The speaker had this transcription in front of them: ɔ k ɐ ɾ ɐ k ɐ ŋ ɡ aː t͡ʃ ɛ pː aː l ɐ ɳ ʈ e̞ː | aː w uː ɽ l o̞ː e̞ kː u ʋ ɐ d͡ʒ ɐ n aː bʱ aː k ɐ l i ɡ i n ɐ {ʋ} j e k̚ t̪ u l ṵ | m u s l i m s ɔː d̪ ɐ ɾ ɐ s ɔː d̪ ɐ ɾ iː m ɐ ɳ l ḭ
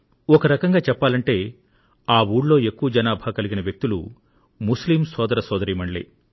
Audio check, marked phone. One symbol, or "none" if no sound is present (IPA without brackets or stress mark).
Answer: ʋ